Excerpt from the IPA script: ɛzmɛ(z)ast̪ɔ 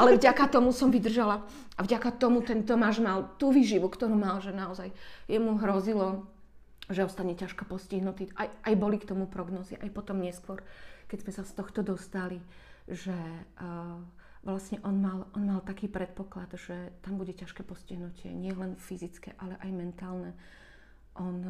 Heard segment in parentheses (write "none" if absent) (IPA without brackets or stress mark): s